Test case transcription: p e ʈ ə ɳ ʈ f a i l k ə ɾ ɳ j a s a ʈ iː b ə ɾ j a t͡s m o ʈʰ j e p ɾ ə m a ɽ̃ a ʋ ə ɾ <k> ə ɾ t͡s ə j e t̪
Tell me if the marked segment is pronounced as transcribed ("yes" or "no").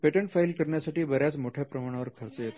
no